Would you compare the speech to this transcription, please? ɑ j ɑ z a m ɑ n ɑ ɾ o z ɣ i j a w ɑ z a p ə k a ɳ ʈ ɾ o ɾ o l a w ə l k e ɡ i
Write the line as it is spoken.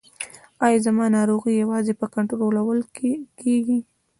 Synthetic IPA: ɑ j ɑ z a m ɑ n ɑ ɾ o ɣ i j a w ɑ z e p ə k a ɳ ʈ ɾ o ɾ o l a w ə l k e ɡ i